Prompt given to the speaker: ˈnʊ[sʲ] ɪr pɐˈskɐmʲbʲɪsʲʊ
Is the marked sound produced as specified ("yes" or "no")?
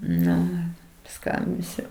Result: no